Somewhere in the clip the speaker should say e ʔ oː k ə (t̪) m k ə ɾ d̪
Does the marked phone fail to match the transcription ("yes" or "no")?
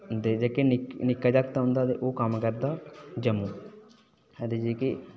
yes